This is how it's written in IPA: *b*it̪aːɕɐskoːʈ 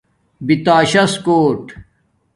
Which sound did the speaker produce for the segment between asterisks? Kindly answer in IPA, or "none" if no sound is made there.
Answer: b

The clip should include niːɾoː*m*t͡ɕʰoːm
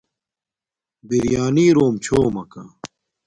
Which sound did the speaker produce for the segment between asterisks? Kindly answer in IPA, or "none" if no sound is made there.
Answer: m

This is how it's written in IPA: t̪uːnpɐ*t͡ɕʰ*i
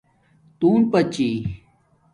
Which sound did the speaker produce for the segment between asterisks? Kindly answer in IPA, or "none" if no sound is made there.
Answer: t͡ɕ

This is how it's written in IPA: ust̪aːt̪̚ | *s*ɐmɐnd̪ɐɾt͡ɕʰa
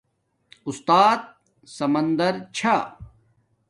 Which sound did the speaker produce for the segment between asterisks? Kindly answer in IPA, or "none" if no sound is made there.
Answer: s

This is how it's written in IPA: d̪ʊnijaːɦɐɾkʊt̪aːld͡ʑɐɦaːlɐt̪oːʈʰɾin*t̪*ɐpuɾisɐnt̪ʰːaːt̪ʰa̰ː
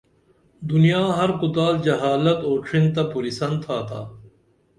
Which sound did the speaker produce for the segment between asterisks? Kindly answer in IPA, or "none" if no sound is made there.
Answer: t̪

